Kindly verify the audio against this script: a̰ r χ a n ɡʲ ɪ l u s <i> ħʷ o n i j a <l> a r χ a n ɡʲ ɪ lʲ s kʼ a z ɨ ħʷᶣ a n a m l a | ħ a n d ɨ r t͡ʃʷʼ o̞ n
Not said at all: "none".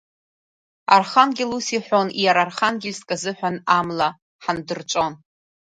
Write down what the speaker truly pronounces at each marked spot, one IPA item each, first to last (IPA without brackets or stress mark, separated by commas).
i, ɾ